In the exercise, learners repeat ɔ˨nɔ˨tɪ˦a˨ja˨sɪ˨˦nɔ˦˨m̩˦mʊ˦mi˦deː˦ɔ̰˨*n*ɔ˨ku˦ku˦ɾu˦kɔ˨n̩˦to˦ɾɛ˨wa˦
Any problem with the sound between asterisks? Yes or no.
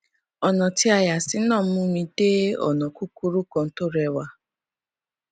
no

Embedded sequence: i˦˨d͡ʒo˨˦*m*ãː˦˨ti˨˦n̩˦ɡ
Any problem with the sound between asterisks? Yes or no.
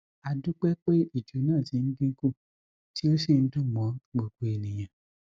yes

